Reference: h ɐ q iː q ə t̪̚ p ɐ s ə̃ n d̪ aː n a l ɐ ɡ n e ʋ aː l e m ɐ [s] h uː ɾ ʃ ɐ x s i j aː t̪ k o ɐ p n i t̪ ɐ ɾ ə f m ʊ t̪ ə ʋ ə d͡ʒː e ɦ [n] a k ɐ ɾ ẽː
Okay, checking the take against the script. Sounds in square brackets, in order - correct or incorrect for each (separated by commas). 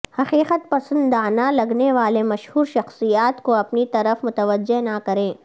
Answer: incorrect, correct